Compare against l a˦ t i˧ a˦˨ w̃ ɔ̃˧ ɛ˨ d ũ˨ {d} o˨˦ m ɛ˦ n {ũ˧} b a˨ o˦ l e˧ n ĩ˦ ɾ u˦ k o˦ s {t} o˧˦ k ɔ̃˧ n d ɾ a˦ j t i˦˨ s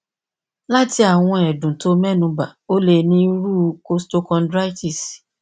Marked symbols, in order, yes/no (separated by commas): no, yes, yes